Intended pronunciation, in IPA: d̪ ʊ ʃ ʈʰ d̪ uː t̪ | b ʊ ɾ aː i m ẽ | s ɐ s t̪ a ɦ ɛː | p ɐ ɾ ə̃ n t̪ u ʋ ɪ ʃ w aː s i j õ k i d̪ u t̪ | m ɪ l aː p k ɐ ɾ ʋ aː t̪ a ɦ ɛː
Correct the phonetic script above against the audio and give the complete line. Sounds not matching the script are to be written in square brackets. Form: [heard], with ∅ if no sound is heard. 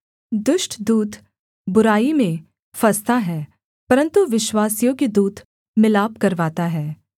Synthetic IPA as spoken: d̪ ʊ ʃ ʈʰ d̪ uː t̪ | b ʊ ɾ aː i m ẽ | [f] ɐ s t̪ a ɦ ɛː | p ɐ ɾ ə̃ n t̪ u ʋ ɪ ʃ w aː s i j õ k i d̪ [uː] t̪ | m ɪ l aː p k ɐ ɾ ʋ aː t̪ a ɦ ɛː